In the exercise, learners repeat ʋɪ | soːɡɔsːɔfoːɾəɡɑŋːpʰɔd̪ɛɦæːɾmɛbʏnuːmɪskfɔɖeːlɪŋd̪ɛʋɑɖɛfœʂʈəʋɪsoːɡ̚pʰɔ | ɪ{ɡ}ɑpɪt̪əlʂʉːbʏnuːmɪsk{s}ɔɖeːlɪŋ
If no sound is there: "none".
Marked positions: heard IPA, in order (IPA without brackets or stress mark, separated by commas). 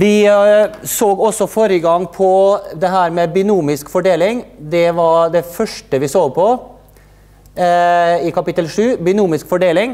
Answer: k, f